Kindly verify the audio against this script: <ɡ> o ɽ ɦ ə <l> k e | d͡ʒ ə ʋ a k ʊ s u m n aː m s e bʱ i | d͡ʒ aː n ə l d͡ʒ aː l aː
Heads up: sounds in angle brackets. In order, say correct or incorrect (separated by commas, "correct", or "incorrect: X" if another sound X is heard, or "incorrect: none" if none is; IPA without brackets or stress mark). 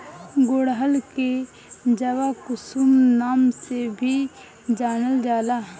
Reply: correct, correct